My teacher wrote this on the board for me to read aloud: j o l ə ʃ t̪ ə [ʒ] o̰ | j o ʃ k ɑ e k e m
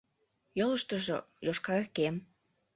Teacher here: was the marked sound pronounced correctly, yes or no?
yes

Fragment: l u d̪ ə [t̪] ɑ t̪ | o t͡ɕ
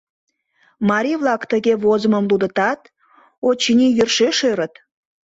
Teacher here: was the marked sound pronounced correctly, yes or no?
yes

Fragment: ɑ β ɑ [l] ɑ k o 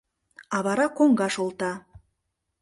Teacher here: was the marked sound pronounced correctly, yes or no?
no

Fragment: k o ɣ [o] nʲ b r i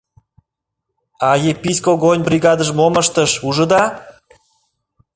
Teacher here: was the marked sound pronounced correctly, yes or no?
yes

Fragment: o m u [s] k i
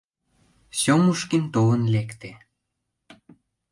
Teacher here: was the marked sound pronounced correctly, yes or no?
no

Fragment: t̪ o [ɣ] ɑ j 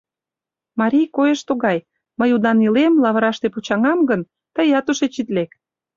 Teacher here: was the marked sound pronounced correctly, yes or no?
yes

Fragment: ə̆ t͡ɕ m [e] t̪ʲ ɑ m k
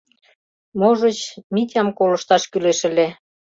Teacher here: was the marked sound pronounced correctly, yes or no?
no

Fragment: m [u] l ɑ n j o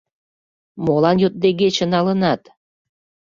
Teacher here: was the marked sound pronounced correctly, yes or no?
no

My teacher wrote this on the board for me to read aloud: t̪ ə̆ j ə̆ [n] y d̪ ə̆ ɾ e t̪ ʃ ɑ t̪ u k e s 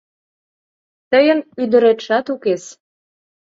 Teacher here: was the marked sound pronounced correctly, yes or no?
yes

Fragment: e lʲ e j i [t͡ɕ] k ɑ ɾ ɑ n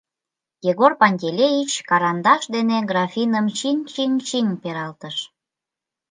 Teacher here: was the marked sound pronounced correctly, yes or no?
yes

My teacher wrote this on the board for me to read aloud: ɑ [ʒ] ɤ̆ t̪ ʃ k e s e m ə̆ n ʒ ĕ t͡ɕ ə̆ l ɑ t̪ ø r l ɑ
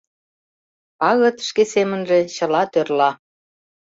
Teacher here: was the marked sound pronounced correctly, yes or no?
no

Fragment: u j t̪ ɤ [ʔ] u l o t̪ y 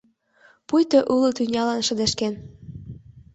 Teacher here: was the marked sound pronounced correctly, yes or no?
yes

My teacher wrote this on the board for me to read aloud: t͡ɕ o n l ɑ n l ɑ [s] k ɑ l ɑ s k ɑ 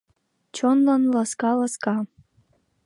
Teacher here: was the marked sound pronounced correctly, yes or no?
yes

